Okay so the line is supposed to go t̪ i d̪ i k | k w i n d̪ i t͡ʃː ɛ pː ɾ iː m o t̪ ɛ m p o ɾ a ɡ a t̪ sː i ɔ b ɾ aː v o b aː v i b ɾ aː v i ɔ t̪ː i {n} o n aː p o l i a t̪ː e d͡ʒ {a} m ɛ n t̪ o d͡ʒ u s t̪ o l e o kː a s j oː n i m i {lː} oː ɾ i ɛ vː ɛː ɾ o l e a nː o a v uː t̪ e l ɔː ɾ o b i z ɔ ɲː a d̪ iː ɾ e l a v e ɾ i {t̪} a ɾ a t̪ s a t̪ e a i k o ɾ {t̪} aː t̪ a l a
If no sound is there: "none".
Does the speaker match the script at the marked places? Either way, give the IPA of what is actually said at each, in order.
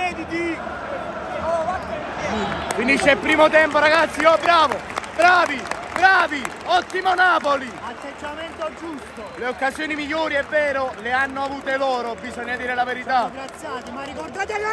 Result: m, a, ʎː, t̪, d̪

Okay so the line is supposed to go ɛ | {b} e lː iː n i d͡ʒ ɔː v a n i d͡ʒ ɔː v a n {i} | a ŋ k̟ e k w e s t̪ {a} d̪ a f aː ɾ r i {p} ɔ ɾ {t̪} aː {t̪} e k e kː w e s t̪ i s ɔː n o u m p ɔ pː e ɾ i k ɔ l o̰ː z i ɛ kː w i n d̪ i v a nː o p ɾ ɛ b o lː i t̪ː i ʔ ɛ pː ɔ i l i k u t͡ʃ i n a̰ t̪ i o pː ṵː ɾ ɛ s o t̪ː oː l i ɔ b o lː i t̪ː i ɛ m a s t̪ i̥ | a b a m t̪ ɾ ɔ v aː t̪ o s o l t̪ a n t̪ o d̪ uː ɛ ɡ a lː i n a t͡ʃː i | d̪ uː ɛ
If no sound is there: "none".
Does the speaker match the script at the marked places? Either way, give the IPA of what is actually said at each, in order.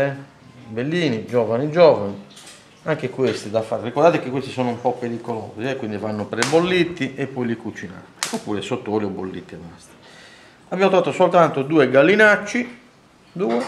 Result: b, i, i, k, d̪, t̪

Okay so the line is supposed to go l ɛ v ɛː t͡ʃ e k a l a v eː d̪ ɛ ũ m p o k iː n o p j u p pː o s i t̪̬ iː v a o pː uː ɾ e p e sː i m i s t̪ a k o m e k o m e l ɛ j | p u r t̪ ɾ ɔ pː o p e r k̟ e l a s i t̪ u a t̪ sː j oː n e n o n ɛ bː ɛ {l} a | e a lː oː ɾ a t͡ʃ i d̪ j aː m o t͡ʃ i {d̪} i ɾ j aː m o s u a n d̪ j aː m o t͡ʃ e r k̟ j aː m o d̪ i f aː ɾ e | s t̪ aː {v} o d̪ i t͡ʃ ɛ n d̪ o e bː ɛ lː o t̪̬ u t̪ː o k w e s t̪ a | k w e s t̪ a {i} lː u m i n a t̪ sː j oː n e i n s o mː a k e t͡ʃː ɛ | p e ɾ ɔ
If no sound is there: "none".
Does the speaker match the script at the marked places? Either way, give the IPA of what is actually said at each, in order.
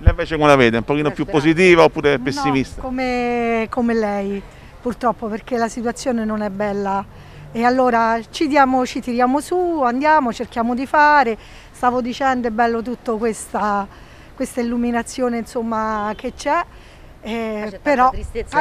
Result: lː, t̪, v, i

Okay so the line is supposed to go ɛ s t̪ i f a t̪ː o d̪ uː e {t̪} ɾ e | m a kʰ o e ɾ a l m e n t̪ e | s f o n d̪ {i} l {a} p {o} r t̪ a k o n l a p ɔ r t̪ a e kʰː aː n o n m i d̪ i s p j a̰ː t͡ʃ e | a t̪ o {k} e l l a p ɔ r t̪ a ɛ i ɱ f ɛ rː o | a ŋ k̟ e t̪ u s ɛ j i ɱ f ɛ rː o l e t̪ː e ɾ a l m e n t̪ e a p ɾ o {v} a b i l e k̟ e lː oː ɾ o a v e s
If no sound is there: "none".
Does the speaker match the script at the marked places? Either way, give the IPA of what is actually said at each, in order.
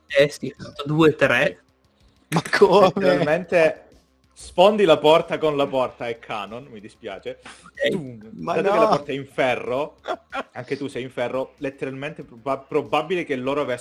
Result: t̪, i, a, ɔ, k, b

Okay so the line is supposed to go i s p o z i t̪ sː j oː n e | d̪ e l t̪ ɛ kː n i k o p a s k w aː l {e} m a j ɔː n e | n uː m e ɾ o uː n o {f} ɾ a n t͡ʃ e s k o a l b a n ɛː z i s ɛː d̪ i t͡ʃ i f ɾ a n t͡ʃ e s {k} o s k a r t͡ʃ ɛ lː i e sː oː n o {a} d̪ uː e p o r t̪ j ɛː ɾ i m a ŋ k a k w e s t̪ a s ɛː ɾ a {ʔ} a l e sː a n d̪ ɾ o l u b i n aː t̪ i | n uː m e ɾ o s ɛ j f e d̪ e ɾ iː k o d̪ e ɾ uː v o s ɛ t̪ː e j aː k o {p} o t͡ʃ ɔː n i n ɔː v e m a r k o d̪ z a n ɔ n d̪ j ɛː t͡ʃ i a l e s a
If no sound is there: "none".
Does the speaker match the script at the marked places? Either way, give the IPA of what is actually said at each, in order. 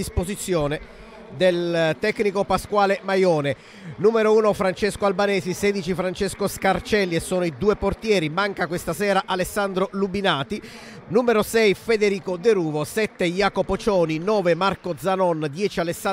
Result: e, f, k, i, ʔ, p

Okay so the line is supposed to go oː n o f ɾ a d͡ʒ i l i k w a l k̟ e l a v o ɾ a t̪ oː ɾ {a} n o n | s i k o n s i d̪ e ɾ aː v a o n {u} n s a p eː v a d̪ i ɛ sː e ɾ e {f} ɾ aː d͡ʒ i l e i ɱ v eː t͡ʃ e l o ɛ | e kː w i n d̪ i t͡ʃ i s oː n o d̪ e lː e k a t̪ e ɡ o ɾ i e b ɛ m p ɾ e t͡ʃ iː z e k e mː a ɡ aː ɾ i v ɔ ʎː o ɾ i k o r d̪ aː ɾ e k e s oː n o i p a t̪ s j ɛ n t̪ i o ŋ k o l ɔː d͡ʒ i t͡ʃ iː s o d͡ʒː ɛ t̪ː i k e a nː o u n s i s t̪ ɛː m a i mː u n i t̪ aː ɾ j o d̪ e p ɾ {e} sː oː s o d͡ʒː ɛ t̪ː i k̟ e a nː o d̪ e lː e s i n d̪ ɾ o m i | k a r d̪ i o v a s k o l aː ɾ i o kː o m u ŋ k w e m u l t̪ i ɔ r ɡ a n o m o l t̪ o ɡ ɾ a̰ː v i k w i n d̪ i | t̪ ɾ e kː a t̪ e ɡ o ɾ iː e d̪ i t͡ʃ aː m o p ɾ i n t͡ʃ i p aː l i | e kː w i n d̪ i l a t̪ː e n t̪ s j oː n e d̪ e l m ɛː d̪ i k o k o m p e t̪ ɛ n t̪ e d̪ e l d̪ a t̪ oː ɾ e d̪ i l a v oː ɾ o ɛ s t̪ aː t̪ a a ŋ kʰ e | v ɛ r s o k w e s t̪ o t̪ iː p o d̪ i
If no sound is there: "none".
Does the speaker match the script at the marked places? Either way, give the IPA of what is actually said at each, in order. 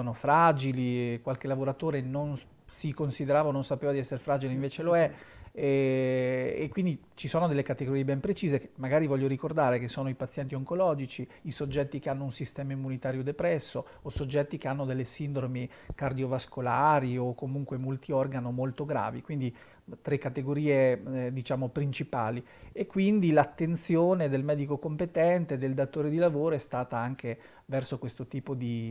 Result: e, o, f, ɛ

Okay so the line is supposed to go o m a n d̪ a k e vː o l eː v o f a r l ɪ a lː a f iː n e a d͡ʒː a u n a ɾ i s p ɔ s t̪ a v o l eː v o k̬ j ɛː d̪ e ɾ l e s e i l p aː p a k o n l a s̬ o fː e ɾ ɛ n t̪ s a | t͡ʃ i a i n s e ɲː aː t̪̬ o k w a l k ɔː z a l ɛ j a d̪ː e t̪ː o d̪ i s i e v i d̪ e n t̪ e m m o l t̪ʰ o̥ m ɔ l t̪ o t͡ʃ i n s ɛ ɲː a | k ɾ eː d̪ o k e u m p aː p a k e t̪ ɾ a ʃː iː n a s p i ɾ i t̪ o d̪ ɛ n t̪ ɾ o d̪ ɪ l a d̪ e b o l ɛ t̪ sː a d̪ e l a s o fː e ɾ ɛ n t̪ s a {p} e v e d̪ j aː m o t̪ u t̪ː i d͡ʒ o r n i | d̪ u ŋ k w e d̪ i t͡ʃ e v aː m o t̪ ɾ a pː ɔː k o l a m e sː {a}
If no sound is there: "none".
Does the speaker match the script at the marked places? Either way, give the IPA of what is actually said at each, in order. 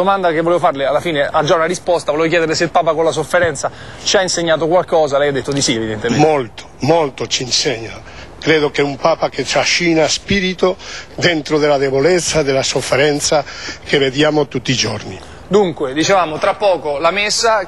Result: k, a

